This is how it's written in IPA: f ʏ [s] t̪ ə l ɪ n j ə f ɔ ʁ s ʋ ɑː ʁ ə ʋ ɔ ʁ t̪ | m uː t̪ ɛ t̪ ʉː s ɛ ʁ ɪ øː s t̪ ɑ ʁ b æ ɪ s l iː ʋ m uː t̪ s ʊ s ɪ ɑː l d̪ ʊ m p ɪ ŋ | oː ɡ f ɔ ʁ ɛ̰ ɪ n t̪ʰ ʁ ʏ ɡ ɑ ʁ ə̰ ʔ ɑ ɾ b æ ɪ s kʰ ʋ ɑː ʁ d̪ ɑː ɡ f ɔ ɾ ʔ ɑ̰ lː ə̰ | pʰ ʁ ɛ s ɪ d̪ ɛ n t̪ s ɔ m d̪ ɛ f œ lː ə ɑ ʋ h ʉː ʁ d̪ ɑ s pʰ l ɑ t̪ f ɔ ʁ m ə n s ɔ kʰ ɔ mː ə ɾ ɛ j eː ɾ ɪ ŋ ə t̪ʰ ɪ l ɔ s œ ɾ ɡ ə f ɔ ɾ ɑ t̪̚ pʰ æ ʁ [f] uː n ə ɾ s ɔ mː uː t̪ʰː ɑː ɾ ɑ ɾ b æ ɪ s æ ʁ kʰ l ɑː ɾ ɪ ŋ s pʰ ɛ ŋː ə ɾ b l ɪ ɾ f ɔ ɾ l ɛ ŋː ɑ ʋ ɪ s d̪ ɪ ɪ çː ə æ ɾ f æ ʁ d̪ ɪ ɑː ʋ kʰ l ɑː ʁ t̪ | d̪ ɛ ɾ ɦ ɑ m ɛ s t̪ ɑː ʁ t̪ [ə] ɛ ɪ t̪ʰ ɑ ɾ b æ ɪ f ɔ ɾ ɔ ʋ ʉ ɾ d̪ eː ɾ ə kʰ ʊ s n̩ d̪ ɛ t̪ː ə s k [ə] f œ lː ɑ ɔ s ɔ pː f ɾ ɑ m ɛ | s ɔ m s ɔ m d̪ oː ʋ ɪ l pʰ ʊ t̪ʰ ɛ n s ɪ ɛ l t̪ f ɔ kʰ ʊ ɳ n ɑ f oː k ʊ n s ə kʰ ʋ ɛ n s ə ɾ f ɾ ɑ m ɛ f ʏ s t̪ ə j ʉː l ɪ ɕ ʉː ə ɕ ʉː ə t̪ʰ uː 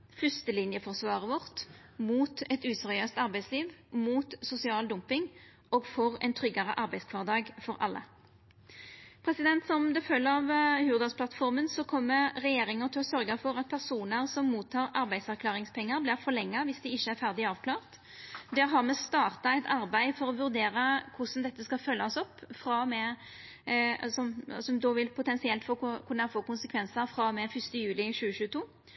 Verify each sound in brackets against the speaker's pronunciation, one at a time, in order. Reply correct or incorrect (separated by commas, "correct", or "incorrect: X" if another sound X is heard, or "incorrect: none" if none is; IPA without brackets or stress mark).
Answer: correct, incorrect: s, incorrect: ɑ, incorrect: ɑ